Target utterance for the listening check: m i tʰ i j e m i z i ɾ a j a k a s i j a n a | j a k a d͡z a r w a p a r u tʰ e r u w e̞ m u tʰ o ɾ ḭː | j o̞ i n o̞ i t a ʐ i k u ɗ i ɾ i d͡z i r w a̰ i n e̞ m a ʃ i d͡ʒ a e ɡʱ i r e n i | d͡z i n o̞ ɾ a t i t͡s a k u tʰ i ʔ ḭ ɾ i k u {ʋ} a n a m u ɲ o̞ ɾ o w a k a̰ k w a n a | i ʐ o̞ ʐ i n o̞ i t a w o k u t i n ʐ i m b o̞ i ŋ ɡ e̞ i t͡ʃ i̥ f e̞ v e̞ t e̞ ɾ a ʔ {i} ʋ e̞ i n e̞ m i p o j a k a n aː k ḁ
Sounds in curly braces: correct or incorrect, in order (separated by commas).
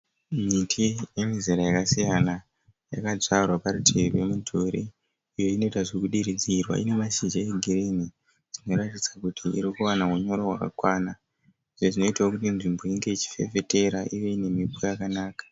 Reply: incorrect, correct